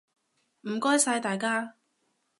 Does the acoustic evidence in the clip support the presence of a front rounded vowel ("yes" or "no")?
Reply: no